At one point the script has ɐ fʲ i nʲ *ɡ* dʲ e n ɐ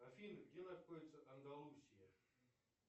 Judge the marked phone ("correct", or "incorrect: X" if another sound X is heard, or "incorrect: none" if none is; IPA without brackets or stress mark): correct